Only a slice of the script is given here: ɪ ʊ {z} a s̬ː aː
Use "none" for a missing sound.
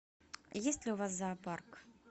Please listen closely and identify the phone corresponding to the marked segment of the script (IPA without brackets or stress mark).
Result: v